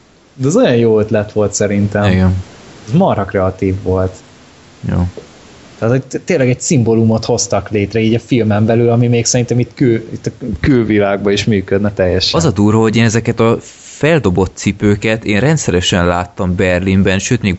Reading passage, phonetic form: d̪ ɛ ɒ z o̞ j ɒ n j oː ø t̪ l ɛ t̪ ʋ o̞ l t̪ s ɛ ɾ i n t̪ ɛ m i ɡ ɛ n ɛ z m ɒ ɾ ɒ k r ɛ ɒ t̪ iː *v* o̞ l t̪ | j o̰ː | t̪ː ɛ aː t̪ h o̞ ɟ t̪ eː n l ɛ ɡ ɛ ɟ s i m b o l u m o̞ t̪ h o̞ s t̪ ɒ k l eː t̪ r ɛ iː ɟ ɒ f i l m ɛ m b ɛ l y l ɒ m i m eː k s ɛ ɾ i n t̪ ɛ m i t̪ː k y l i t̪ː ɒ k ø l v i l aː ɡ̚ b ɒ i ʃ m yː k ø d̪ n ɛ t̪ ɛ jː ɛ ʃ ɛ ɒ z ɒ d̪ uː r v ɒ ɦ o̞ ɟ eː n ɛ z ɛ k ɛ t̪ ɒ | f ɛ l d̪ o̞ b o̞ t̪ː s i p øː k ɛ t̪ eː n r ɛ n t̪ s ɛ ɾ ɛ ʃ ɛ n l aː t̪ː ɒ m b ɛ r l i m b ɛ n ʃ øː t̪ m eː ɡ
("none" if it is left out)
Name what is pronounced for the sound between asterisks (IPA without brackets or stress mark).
vː